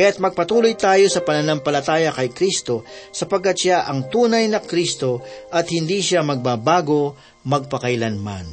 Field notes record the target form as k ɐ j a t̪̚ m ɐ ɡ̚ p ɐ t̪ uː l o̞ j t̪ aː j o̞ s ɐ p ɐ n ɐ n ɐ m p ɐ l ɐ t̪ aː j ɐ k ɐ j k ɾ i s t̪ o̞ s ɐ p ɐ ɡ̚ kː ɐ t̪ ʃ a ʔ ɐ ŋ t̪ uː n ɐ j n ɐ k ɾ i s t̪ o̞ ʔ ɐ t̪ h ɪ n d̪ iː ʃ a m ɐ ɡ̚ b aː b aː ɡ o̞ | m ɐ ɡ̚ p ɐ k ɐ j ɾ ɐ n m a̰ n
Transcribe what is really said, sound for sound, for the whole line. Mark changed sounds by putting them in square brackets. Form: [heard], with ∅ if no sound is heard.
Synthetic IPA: k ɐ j a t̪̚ m ɐ ɡ̚ p ɐ t̪ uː l o̞ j t̪ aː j o̞ s ɐ p ɐ n ɐ n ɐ m p ɐ l ɐ t̪ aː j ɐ k ɐ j k ɾ i s t̪ o̞ s ɐ p ɐ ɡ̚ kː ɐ t̪ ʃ a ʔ ɐ ŋ t̪ uː n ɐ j n ɐ k ɾ i s t̪ o̞ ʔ ɐ t̪ h ɪ n d̪ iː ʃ a m ɐ ɡ̚ b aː b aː ɡ o̞ | m ɐ ɡ̚ p ɐ k ɐ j [l] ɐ n m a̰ n